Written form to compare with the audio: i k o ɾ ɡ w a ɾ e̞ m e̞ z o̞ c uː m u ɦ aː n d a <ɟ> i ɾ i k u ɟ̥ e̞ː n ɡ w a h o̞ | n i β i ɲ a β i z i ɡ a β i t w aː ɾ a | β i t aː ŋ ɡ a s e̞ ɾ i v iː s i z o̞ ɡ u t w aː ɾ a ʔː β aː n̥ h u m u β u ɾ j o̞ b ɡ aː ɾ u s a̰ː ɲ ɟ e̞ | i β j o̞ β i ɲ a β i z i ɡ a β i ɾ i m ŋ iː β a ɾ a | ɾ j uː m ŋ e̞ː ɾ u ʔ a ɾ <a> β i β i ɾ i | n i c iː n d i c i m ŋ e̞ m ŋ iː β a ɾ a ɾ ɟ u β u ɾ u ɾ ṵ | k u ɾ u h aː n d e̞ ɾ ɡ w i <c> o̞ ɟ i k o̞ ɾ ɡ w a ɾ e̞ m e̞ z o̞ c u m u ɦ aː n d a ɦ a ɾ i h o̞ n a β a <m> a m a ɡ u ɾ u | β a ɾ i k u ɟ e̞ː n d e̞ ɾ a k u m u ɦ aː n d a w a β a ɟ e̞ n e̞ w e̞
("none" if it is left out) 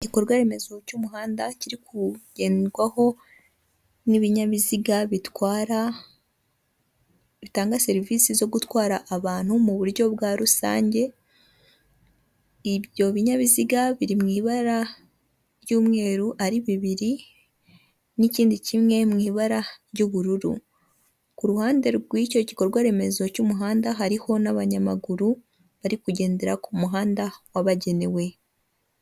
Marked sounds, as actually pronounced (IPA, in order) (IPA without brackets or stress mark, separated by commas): c, i, c, ɲ